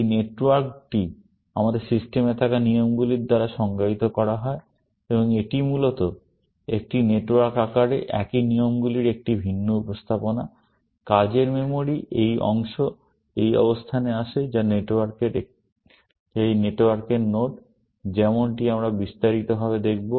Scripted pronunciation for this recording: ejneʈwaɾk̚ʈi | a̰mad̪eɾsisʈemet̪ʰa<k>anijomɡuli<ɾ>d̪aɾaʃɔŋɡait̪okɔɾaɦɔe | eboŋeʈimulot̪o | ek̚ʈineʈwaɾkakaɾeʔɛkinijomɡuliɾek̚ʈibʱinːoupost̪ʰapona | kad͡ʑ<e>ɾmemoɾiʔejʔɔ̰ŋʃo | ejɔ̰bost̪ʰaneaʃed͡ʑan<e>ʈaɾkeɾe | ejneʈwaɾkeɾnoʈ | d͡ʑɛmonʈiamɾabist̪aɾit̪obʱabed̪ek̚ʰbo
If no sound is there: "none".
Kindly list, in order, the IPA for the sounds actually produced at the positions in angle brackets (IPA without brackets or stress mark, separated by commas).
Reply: k, ɾ, e, e